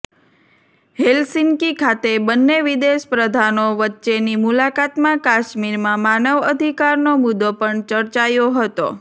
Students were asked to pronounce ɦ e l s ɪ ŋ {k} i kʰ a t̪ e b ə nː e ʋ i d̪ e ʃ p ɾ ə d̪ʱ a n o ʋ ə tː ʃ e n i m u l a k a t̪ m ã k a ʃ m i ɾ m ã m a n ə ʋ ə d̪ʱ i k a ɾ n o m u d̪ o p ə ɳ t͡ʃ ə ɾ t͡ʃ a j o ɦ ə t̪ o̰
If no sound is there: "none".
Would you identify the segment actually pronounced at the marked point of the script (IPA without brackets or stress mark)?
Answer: k